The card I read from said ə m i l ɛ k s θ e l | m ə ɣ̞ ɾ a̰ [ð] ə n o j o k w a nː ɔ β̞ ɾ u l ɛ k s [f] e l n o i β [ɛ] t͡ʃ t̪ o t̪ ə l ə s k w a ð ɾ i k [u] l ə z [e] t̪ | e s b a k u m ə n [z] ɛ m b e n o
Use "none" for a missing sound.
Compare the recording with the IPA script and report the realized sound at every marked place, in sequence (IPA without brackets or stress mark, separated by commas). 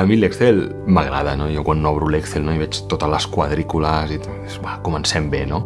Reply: ð, θ, ɛ, u, i, s